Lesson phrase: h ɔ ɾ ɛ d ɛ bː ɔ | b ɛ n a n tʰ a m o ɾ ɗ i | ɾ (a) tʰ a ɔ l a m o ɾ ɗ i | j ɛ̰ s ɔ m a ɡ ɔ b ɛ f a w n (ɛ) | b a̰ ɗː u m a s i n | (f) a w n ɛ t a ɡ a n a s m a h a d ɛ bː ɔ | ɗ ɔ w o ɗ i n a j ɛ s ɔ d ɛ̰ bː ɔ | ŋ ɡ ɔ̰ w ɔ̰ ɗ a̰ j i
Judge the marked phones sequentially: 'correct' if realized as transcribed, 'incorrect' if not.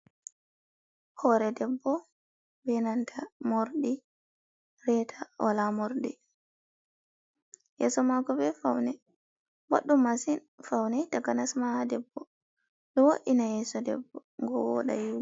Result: incorrect, correct, correct

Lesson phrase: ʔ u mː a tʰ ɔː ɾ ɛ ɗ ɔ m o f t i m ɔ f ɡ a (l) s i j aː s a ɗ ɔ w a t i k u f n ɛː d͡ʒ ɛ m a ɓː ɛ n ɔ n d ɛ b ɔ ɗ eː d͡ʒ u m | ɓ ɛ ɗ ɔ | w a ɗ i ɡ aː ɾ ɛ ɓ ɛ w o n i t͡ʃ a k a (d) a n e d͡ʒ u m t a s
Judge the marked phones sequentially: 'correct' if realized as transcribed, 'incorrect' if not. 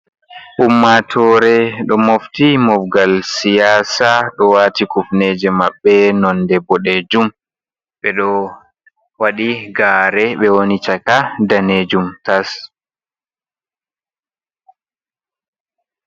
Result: correct, correct

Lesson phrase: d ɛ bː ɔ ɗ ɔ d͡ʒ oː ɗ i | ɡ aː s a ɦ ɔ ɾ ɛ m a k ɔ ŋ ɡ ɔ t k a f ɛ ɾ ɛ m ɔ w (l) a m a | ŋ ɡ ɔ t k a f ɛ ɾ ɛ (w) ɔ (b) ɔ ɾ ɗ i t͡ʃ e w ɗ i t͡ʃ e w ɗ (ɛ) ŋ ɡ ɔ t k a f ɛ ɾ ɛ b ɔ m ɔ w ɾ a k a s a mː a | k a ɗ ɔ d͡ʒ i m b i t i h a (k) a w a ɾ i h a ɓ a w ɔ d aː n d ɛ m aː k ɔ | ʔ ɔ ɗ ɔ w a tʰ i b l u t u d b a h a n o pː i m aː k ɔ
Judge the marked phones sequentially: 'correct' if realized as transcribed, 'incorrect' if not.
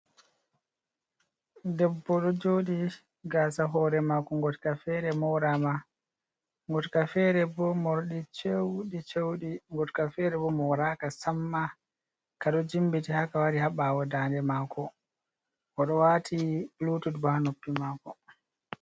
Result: incorrect, incorrect, incorrect, incorrect, correct

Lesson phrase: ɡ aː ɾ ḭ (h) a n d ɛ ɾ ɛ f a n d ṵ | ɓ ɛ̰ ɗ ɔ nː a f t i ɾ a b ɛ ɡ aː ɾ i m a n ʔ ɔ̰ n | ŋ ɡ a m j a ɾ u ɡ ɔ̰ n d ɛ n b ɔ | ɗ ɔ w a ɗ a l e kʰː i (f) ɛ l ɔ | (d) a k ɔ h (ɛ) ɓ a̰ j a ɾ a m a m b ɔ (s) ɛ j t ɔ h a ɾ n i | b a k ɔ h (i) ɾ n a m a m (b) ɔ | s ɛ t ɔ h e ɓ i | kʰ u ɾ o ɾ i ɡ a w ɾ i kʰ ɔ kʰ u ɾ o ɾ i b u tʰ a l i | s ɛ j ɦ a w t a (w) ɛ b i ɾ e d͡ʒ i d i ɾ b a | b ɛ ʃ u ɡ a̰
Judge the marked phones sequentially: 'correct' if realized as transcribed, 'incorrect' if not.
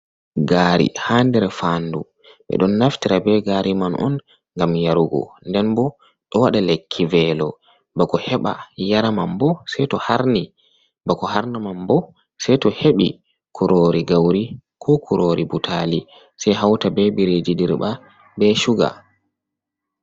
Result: correct, incorrect, incorrect, correct, correct, incorrect, correct, incorrect

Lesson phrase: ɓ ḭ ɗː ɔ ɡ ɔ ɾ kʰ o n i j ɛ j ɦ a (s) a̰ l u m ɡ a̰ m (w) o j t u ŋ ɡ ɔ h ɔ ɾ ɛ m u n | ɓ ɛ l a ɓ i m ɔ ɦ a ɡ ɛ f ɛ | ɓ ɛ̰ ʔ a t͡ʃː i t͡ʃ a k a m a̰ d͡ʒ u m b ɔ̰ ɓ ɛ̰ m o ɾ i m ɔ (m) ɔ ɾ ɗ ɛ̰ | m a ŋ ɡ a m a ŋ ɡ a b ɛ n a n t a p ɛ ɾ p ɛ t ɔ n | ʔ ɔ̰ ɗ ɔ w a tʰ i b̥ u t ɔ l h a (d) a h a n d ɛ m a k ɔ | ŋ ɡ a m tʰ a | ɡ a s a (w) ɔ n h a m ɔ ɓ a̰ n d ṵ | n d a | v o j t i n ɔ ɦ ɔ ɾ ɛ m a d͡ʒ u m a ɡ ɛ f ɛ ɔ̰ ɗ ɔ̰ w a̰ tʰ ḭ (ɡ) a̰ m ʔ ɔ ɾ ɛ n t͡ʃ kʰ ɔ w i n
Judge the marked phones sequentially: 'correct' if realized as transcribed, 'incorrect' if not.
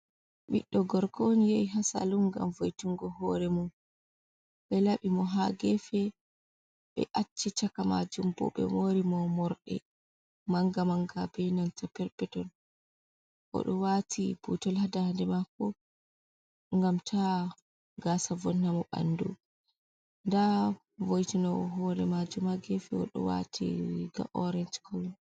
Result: correct, incorrect, correct, correct, incorrect, correct

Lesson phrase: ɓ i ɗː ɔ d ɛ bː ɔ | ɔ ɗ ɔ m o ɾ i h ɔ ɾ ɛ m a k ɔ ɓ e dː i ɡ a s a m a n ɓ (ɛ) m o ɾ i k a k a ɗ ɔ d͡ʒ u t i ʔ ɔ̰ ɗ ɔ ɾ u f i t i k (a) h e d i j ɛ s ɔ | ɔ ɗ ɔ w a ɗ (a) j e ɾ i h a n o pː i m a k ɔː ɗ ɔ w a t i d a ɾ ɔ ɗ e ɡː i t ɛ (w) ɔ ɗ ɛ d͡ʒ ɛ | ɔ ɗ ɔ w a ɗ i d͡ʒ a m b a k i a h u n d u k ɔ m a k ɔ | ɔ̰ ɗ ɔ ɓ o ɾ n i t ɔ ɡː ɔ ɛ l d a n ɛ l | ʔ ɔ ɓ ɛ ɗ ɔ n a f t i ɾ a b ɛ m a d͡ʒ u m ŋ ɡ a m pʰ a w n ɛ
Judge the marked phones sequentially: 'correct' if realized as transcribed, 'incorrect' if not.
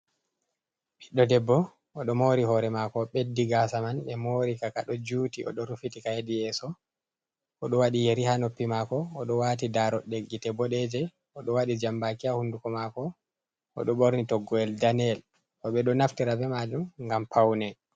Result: correct, correct, incorrect, incorrect

